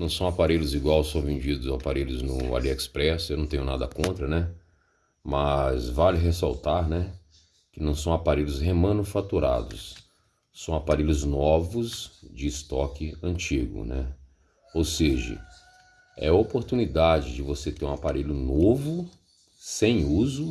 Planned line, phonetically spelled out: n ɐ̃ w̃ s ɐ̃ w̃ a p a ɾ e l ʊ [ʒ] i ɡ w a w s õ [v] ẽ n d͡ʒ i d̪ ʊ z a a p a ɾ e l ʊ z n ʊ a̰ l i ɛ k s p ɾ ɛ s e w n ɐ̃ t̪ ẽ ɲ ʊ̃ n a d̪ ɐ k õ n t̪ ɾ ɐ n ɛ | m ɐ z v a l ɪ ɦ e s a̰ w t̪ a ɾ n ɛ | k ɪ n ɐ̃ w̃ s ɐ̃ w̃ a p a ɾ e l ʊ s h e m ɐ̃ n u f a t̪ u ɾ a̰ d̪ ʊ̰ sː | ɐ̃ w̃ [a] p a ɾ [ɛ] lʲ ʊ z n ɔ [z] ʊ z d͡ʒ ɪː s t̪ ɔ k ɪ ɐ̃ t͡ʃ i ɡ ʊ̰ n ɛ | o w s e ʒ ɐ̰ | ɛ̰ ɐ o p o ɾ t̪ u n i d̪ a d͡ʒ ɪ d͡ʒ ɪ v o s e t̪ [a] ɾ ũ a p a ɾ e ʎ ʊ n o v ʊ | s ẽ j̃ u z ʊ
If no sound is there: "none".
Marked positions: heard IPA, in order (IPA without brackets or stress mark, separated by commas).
z, v, a, e, v, e